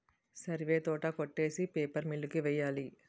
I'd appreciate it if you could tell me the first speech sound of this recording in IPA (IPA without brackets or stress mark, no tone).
s